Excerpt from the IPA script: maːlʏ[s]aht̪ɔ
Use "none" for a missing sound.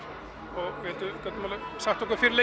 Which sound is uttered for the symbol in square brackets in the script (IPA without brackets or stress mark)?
s